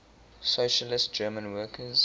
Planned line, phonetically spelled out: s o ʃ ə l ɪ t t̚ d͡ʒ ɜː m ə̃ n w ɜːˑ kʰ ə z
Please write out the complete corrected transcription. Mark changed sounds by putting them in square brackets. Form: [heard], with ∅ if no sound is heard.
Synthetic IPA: s o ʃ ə l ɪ [s] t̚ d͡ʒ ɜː m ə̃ n w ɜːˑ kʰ ə z